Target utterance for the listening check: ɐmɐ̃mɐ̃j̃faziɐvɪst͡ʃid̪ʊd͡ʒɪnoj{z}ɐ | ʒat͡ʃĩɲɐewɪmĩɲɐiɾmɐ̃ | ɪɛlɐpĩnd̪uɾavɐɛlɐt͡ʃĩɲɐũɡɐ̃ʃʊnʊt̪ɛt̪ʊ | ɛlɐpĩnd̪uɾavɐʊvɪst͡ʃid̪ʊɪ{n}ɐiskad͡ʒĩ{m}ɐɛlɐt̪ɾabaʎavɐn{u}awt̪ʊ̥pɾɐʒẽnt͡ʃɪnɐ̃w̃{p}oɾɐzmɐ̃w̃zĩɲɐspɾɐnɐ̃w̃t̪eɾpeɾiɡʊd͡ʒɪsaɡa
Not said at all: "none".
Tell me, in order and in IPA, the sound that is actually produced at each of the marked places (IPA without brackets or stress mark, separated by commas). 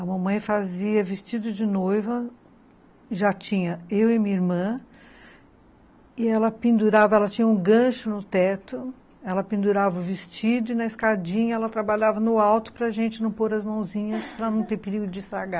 v, n, ɲ, ʊ, p